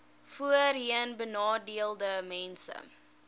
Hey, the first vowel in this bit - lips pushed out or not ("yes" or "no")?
yes